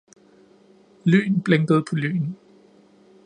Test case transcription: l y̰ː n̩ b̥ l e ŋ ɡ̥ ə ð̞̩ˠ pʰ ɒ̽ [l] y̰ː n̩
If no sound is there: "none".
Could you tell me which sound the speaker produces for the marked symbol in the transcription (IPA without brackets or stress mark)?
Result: l